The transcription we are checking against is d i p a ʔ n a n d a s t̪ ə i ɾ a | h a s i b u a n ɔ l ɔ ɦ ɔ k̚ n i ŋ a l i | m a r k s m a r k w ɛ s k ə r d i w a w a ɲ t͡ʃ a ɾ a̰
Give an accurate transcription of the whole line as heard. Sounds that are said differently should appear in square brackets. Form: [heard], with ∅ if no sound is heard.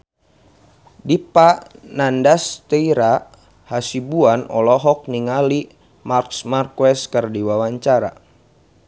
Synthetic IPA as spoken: d i p a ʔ n a n d a s t̪ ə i ɾ a | h a s i b u a n ɔ l ɔ ɦ ɔ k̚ n i ŋ a l i | m a r k s m a r k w ɛ s k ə r d i w a w a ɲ t͡ʃ a ɾ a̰